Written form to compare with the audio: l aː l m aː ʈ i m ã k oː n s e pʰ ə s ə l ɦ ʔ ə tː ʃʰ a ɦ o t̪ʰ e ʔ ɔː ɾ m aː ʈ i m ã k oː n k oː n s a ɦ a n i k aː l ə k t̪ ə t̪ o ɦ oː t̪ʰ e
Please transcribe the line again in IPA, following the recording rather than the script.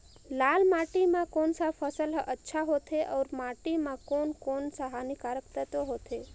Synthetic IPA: l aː l m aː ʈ i m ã k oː n s a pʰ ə s ə l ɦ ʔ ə tː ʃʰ a ɦ o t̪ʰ e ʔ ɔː ɾ m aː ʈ i m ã k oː n k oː n s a ɦ a n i k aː ɾ ə k t̪ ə t̪ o ɦ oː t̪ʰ e

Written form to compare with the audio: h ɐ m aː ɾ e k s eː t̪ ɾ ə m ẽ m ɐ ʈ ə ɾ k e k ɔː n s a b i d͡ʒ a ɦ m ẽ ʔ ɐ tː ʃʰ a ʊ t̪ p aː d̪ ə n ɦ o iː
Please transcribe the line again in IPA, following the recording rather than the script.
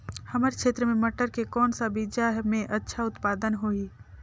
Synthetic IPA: h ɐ m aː ɾ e k ʃ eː t̪ ɾ ə m ẽ m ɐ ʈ ə ɾ k e k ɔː n s a b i d͡ʒ a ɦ m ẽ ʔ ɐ tː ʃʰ a ʊ t̪ p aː d̪ ə n ɦ o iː

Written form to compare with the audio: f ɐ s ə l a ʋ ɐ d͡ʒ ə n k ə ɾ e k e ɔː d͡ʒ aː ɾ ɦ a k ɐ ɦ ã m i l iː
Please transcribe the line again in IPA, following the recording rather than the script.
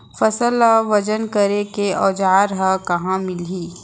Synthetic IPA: f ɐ s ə l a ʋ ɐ d͡ʒ ə n k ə ɾ e k e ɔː d͡ʒ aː ɾ ɦ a k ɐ ɦ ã m ɪ l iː

